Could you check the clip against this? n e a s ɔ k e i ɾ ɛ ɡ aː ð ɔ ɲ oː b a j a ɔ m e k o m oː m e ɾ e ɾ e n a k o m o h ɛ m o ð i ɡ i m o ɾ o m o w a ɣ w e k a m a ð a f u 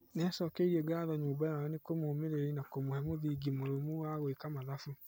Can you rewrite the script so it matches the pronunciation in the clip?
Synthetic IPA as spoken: n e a s ɔ k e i ɾ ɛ ɡ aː ð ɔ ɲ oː b a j a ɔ n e k o m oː m e ɾ e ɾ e n a k o m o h ɛ m o ð i ɡ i m o ɾ o m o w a ɣ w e k a m a ð a f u